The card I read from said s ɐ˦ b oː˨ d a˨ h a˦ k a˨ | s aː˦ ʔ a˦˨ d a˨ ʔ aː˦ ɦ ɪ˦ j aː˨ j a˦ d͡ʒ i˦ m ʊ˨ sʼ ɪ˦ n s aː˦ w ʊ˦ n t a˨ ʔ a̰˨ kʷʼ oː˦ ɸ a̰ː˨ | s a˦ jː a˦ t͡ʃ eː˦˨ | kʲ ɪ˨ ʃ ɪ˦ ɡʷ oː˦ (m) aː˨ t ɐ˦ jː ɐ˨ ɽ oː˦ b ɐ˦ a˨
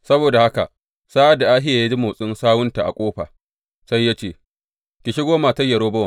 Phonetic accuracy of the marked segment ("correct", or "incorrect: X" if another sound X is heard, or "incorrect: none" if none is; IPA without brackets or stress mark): correct